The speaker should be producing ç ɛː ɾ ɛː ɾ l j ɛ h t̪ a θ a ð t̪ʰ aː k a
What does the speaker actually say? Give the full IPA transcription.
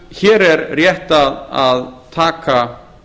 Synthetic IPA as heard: ç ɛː ɾ ɛ ɾ r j ɛ h t̪ a ð a ð t̪ʰ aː k a